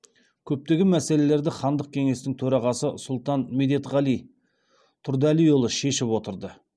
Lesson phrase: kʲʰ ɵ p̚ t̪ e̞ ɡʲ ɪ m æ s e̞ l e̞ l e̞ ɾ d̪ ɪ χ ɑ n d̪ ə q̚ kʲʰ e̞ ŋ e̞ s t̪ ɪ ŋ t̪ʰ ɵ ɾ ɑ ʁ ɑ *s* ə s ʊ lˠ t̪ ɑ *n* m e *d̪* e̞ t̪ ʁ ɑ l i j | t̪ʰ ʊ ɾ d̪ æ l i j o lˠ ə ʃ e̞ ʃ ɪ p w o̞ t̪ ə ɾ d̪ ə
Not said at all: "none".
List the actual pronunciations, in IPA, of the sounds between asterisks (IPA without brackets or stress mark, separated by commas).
s, n, d̪